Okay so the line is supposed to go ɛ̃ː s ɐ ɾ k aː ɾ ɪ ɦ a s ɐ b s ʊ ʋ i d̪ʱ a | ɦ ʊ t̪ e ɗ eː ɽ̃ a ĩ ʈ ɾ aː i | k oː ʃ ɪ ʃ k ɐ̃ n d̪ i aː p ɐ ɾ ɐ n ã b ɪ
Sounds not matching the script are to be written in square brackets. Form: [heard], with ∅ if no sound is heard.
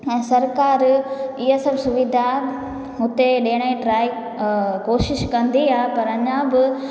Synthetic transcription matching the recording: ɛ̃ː s ɐ ɾ k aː ɾ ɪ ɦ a s ɐ b s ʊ ʋ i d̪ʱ a | ɦ ʊ t̪ e ɗ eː ɽ̃ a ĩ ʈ ɾ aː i | k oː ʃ ɪ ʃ k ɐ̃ n d̪ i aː p ɐ ɾ ɐ [ɲ] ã b ɪ